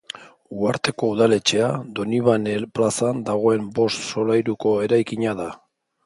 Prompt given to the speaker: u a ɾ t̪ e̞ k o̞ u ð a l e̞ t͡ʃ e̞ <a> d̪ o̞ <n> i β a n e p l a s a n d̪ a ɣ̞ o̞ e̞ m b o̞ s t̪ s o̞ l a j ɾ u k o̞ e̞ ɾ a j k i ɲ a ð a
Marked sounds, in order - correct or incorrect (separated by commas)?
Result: correct, correct